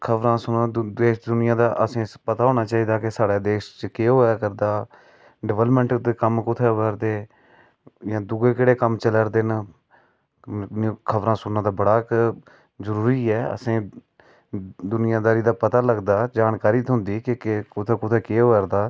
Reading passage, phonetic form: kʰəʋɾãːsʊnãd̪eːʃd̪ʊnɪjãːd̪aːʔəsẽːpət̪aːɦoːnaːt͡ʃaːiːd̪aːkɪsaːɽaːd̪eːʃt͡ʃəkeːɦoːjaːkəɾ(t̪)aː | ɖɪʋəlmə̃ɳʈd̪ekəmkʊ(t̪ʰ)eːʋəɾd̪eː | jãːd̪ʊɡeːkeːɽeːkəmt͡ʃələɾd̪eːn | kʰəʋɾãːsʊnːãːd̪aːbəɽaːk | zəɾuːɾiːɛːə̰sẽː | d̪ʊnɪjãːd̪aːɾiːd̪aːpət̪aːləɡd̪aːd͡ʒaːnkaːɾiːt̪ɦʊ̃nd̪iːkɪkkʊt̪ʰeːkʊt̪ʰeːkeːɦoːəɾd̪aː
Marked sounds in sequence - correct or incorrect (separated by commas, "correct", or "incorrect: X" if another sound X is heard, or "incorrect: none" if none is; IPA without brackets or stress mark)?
incorrect: d̪, correct